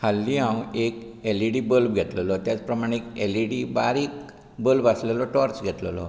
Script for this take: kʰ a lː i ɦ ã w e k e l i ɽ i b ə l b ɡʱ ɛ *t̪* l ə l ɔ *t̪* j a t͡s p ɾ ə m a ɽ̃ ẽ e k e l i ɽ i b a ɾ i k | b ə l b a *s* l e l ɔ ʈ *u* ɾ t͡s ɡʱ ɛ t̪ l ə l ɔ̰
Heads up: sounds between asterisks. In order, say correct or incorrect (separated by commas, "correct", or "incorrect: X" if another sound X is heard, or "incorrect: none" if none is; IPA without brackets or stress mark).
correct, correct, correct, incorrect: ɔ